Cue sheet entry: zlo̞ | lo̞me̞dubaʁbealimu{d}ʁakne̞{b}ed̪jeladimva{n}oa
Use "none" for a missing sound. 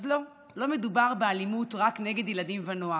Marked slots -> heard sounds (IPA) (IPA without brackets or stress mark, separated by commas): t, ɡ, n